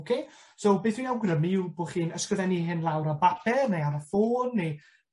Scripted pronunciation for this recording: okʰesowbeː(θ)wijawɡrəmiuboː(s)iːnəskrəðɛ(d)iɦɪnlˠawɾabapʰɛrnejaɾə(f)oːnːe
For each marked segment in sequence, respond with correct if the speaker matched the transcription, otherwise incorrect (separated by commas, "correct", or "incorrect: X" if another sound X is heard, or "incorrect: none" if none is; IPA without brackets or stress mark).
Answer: correct, incorrect: χ, incorrect: n, correct